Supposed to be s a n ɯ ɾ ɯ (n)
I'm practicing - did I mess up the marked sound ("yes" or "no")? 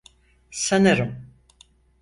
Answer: yes